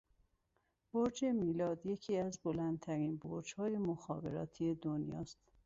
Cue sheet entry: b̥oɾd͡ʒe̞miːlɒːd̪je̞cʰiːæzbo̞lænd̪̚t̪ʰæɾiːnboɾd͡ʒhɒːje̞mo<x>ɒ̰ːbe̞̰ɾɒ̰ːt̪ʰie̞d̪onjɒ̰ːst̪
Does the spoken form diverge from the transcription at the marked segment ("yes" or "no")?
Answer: no